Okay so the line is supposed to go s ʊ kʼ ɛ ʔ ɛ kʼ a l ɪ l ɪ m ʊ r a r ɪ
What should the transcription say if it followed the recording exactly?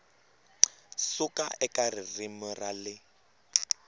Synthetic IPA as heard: s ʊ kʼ a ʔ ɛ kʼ a r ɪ r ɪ m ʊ r a l ɪ